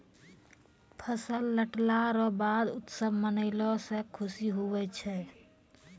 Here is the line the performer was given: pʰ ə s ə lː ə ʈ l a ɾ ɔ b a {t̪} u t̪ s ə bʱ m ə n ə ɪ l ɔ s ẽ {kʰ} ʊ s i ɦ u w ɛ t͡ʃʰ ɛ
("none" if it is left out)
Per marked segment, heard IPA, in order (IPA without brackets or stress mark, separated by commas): d̪, kʰ